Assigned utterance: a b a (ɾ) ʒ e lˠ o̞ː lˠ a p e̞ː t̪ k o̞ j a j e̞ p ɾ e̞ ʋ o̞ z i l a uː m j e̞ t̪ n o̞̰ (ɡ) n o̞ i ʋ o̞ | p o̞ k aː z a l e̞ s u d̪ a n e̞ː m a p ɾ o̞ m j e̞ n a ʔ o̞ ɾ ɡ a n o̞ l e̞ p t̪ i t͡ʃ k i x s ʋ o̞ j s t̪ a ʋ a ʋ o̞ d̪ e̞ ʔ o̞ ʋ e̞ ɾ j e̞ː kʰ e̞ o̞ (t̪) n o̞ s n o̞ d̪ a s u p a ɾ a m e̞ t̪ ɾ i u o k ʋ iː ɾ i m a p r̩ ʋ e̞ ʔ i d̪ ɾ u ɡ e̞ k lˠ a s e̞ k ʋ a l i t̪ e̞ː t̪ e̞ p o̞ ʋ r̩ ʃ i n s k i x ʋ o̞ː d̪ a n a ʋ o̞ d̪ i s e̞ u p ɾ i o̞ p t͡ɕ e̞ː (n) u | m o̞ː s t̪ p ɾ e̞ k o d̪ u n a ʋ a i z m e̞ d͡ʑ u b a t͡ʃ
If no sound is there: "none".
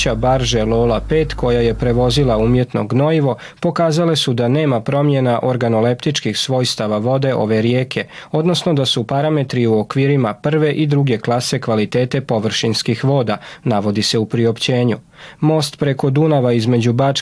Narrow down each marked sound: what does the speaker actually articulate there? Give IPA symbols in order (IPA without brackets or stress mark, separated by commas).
ɾ, ɡ, d̪, ɲ